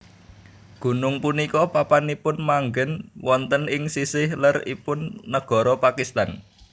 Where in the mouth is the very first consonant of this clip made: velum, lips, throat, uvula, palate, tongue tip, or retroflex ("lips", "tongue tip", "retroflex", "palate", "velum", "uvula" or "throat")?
velum